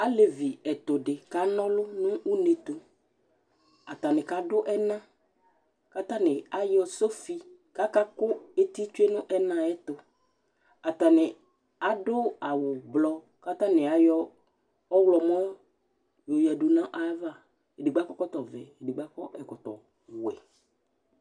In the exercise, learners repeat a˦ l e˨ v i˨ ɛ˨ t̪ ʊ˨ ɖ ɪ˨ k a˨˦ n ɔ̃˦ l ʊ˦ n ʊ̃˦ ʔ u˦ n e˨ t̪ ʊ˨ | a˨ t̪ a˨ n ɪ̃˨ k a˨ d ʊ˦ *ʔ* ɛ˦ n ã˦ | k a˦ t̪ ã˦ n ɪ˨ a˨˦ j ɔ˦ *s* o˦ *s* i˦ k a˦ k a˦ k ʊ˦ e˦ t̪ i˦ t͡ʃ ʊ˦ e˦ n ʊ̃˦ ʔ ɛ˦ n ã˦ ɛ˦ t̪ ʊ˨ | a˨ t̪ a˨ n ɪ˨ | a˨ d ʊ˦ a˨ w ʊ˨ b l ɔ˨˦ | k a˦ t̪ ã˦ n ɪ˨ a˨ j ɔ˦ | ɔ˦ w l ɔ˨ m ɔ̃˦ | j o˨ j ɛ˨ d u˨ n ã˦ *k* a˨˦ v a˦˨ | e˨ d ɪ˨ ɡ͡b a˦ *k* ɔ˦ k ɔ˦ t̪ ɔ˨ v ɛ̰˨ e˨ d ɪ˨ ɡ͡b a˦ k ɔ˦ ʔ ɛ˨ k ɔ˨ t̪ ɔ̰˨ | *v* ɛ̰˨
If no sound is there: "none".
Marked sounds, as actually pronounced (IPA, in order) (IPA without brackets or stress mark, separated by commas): ʔ, s, f, ʔ, k, w